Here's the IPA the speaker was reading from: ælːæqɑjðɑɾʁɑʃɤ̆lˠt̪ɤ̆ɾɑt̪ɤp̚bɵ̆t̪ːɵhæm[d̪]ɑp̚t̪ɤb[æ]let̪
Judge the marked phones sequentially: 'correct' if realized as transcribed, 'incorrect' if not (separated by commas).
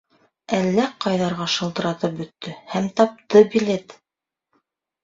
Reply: incorrect, incorrect